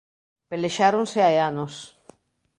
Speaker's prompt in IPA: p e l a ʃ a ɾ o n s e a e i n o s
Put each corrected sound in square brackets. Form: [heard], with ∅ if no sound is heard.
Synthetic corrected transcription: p e l [e] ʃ a ɾ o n s e a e [a] n o s

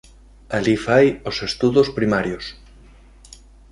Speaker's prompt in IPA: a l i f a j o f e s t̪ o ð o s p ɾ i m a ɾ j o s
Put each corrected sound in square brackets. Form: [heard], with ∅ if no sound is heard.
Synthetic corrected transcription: a l i f a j o [s] e s t̪ [u] ð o s p ɾ i m a ɾ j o s

